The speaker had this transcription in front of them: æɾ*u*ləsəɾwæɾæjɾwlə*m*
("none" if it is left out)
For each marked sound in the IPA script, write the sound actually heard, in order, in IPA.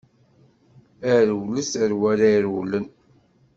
w, n

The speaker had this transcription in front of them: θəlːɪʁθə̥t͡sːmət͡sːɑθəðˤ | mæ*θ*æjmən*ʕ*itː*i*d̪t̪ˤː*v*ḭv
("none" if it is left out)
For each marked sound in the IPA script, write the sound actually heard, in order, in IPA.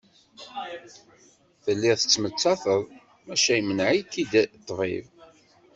ʃ, ʕ, i, v

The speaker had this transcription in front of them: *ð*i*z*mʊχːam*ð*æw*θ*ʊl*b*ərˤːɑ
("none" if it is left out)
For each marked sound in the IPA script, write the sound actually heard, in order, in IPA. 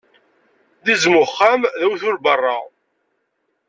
ð, z, ð, θ, b

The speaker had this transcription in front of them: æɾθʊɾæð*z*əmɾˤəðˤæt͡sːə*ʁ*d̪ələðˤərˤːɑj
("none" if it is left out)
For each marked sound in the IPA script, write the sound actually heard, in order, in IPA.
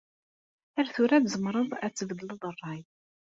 z, v

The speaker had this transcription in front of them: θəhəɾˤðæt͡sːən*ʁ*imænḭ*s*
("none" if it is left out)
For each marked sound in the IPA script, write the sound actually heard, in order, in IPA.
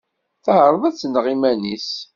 ʁ, s

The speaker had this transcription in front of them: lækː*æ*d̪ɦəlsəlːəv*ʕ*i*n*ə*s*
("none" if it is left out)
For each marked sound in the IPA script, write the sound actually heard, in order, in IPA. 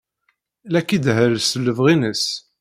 i, ʁ, n, s

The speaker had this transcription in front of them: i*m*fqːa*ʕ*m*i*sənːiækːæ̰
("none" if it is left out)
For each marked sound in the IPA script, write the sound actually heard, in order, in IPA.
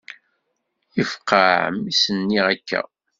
none, ʕ, i

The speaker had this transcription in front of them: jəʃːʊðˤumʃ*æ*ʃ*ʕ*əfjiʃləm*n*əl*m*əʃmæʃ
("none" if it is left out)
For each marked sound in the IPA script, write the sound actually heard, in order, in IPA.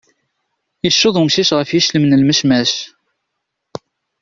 i, ʁ, n, m

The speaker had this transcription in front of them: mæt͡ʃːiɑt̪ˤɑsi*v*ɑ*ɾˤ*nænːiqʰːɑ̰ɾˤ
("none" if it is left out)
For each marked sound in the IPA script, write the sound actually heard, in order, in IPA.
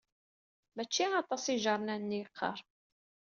ʒ, ɾˤ

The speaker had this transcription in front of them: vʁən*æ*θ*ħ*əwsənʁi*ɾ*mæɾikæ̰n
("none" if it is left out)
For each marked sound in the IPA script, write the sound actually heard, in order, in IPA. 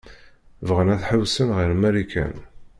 æ, ħ, ɾ

